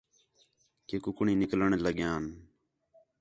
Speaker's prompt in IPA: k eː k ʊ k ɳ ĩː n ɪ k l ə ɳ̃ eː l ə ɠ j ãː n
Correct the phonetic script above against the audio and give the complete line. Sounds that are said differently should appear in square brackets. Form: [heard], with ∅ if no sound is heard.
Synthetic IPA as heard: k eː k ʊ k ɳ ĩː n ɪ k l ə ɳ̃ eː l ə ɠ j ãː n